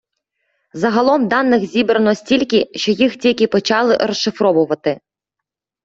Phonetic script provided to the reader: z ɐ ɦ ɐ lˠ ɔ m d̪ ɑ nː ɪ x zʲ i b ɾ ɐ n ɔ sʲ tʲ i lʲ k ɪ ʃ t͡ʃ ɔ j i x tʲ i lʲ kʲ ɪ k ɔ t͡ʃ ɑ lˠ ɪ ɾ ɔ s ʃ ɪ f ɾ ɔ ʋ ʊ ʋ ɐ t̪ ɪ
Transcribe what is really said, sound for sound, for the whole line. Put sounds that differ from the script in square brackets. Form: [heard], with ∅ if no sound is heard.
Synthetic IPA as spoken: z ɐ ɦ ɐ lˠ ɔ m d̪ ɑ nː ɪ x zʲ i b ɾ ɐ n ɔ sʲ tʲ i lʲ k ɪ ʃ t͡ʃ ɔ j i x tʲ i lʲ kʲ ɪ [p] ɔ t͡ʃ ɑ lˠ ɪ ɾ ɔ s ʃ ɪ f ɾ ɔ ʋ ʊ ʋ ɐ t̪ ɪ